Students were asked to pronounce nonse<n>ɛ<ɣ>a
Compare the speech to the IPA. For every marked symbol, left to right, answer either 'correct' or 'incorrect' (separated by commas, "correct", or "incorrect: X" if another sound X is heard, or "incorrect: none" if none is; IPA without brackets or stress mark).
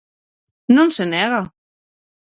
correct, correct